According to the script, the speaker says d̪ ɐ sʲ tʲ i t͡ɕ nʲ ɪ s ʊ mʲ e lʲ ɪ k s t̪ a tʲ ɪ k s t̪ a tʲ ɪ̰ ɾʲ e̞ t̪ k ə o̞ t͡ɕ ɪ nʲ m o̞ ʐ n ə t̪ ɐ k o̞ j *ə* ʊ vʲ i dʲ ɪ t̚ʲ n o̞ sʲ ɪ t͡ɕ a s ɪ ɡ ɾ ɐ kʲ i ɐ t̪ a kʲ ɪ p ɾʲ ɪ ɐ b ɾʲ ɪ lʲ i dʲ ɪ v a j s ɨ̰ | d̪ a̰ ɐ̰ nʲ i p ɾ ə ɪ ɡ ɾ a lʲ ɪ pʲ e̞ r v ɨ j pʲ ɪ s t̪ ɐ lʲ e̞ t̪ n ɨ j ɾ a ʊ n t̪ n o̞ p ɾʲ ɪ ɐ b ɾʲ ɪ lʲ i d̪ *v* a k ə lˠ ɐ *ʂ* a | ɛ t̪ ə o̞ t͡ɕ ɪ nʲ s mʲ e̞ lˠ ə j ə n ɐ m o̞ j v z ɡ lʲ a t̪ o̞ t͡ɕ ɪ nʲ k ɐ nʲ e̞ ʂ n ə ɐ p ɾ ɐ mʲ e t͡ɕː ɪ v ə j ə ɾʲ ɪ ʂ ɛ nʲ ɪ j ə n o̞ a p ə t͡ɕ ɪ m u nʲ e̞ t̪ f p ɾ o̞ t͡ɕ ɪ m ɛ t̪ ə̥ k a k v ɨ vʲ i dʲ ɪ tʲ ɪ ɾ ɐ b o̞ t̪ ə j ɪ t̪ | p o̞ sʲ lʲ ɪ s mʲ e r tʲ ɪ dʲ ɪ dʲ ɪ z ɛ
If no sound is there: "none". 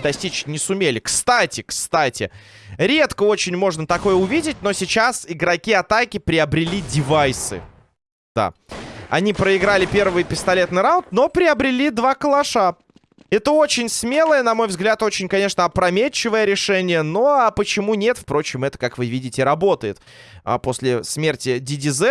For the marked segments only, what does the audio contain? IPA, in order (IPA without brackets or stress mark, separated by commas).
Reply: ə, v, ʂ